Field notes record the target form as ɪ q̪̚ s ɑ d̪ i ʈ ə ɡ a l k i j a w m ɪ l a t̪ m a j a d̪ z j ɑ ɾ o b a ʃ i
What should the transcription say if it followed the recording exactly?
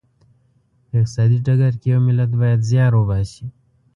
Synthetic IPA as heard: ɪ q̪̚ s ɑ d̪ i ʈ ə ɡ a ɾ k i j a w m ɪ l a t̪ b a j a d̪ z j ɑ ɾ o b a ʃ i

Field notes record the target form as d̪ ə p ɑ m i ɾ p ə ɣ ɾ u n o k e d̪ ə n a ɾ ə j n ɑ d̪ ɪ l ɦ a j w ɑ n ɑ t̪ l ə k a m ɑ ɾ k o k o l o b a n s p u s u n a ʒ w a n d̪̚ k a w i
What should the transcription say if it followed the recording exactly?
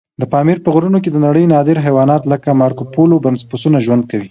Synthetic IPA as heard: d̪ ə p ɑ m i ɾ p ə ɣ ɾ u n o k e d̪ ə n a ɽ ə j n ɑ d̪ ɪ ɾ ɦ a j w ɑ n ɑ t̪ l ə k a m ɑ ɾ k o p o l o b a n s p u s u n a ʒ w a n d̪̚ k a w i

